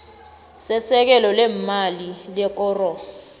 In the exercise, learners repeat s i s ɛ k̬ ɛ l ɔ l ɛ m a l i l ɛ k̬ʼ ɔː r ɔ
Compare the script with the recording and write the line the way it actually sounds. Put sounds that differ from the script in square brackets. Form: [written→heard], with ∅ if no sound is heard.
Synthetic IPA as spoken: s [i→ɛ] s ɛ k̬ ɛ l ɔ l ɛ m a l i l ɛ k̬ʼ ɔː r ɔ